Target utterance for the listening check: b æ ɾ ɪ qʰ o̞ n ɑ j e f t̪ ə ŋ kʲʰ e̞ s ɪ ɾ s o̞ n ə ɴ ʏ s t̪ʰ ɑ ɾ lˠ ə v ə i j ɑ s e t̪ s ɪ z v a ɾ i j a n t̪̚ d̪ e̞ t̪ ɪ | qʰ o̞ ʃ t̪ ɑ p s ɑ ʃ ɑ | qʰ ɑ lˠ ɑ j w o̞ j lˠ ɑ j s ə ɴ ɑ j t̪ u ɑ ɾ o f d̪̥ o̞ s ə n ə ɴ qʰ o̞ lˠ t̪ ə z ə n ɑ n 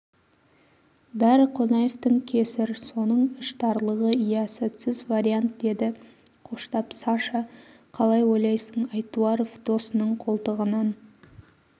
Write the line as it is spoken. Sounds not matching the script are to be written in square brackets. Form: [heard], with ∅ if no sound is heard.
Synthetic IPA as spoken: b æ ɾ ɪ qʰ o̞ n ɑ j e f t̪ ə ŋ kʲʰ e̞ s ɪ ɾ s o̞ n ə ɴ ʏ [ʃ] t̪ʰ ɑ ɾ lˠ ə [ʁ] ə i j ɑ s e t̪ s ɪ z v a ɾ i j a n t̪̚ d̪ e̞ [d̪] ɪ | qʰ o̞ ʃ t̪ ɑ p s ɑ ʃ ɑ | qʰ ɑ lˠ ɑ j w o̞ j lˠ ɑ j s ə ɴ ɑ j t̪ u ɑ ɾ o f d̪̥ o̞ s ə n ə ɴ qʰ o̞ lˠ t̪ ə [ʁ] ə n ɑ n